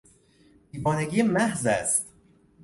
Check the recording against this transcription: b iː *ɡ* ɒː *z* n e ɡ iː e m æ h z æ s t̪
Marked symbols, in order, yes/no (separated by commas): no, no